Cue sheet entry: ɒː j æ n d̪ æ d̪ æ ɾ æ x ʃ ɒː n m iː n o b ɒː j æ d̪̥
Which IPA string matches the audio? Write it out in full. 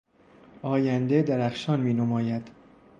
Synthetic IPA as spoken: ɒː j æ n d̪ e d̪ æ ɾ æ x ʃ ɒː n m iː n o m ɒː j æ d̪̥